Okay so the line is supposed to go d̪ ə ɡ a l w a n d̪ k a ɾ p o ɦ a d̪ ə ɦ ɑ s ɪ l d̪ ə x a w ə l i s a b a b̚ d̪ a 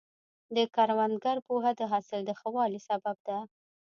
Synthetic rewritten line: d̪ ə k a ɾ w a n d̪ ɡ a ɾ p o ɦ a d̪ ə ɦ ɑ s ɪ l d̪ ə x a w ɑ l i s a b a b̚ d̪ a